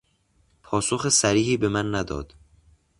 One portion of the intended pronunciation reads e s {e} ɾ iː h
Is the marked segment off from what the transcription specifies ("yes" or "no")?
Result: yes